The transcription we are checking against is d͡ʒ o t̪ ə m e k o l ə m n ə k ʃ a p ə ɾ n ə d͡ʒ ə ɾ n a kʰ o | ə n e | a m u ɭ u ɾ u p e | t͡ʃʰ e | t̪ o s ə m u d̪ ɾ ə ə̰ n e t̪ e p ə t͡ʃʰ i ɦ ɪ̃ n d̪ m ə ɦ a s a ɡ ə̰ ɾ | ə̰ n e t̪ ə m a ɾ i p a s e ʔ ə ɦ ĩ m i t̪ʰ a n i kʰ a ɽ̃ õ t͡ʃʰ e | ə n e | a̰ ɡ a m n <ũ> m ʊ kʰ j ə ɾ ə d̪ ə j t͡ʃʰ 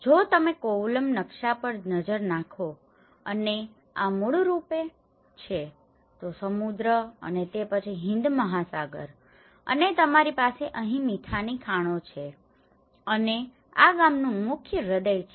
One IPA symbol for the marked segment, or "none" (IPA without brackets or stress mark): ũ